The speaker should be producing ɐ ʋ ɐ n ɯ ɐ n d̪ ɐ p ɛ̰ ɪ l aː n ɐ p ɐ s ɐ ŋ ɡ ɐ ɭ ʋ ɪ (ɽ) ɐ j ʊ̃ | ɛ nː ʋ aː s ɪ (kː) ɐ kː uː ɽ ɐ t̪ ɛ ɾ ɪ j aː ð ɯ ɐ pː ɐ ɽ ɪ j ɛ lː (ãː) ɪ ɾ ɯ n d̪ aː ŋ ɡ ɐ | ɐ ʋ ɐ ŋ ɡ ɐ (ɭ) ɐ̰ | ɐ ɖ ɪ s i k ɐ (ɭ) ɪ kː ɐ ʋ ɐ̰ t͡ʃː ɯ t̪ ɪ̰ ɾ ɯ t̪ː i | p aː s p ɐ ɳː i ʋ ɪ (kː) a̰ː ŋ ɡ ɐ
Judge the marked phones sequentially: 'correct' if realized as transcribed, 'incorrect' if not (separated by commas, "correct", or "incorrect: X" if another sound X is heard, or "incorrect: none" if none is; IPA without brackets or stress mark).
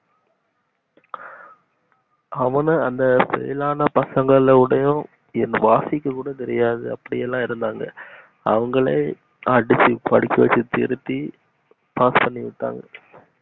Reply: correct, correct, correct, correct, incorrect: ɽ, incorrect: ʈː